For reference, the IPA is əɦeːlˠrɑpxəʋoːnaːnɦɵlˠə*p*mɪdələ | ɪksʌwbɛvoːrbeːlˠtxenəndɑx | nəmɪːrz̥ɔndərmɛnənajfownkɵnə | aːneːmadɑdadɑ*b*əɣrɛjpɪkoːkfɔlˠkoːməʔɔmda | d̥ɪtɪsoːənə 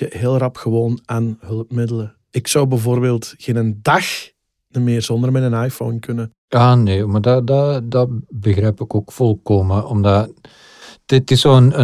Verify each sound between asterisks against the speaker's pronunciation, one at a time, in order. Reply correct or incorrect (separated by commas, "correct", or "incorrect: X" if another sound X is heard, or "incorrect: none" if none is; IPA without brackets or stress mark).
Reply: correct, correct